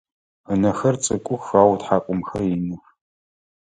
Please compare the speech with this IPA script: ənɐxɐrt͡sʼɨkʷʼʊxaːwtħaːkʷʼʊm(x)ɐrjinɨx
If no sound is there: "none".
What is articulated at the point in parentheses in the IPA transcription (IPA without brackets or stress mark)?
x